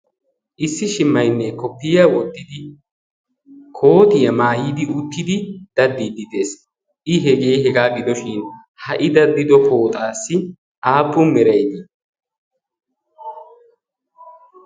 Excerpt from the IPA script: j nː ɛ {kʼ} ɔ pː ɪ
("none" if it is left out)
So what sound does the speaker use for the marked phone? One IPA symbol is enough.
k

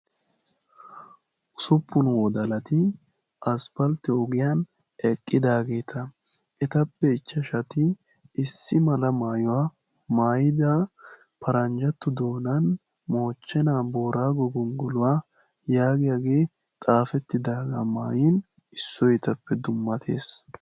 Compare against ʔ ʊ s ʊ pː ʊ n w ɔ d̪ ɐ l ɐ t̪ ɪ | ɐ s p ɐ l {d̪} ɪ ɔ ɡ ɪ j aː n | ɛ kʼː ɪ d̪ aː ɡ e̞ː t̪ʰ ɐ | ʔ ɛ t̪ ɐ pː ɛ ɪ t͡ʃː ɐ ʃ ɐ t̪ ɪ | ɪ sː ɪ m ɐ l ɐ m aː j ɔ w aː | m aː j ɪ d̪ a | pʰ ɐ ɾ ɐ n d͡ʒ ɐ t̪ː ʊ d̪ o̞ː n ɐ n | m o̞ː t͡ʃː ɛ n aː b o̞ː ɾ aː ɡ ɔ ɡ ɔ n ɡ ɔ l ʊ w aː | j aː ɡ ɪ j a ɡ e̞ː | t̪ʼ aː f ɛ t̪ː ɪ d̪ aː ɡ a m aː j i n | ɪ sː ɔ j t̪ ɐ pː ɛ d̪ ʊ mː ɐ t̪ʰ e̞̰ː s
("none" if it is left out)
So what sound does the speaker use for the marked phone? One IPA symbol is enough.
t̪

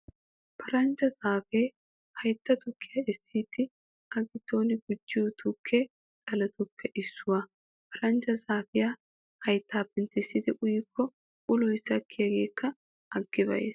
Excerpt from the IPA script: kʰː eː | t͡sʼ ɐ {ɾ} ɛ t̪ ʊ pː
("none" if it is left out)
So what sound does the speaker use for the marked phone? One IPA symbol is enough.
l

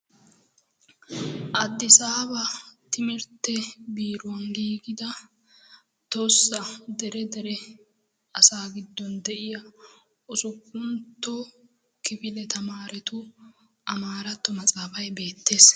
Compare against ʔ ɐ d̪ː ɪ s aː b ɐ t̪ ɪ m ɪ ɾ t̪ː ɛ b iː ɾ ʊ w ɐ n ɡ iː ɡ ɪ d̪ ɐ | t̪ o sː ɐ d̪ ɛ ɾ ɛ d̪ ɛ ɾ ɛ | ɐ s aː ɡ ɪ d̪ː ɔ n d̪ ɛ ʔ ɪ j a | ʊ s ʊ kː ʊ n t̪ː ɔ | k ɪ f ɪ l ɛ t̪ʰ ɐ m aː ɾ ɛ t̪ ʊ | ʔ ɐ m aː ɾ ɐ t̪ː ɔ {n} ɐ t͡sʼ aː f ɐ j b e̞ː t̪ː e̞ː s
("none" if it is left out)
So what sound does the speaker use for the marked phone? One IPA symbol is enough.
m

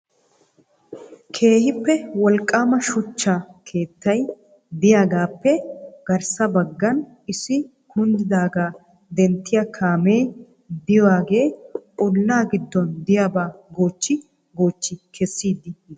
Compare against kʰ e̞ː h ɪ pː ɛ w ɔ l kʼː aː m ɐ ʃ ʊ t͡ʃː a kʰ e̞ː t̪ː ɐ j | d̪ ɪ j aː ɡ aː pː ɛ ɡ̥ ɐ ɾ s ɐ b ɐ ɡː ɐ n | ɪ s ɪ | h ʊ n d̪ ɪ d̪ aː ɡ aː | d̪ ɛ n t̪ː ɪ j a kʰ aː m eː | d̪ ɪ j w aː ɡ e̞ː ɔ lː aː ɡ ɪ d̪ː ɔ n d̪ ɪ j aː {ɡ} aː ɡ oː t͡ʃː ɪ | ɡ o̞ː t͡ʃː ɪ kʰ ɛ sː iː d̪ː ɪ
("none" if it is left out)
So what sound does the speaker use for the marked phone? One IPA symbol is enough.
b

